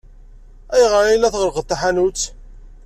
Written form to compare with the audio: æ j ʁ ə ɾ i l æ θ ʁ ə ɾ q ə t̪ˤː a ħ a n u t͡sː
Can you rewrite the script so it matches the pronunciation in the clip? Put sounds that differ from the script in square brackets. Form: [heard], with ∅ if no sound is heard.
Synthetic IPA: æ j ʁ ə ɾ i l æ θ ʁ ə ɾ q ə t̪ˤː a ħ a n u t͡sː